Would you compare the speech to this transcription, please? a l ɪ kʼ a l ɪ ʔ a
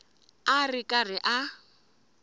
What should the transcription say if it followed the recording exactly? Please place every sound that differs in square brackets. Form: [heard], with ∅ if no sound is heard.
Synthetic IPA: a [r] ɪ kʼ a [r] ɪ ʔ a